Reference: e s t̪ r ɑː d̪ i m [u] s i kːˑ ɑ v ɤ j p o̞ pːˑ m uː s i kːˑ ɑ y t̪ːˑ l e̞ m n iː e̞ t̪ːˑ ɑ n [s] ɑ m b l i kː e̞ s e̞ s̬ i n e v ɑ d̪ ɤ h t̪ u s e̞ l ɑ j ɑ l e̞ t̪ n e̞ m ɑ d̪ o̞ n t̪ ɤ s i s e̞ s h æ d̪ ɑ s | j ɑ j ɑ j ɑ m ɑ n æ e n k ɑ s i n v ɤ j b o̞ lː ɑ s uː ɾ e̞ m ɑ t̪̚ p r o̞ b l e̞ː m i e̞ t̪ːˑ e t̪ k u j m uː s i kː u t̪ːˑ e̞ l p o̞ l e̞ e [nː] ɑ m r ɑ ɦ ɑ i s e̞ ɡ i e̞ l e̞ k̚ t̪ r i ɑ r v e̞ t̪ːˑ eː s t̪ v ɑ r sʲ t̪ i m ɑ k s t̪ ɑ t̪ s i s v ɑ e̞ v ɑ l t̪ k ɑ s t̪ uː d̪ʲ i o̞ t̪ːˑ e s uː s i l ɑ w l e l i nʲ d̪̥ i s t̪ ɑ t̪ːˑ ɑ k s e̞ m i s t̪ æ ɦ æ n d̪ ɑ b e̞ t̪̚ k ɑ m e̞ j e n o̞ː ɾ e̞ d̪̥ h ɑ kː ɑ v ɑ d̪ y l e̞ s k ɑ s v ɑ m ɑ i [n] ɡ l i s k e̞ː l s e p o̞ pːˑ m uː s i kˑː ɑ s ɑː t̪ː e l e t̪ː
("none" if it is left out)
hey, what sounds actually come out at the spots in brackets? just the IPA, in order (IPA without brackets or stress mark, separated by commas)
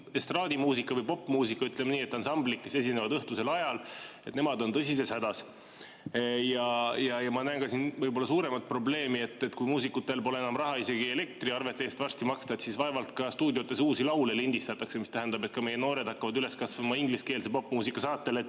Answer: uː, s, n, ŋ